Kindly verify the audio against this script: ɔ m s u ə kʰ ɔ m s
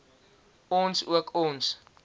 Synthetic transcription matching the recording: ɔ n s u ə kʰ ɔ n s